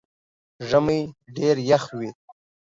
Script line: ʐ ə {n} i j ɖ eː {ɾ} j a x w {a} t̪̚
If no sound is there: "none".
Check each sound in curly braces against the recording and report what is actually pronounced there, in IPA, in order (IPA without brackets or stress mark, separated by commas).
m, ɾ, i